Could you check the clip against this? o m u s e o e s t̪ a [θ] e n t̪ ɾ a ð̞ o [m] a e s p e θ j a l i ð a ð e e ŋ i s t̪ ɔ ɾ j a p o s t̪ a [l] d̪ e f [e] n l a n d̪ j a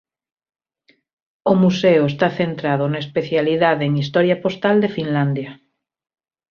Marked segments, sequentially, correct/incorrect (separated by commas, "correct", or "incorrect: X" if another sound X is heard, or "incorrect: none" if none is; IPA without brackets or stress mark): correct, incorrect: n, correct, incorrect: i